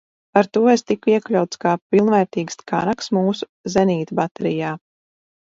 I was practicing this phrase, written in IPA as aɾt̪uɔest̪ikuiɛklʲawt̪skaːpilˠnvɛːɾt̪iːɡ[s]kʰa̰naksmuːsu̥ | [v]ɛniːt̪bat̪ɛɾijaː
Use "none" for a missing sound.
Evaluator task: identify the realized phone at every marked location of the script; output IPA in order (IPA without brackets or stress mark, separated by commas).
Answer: s, z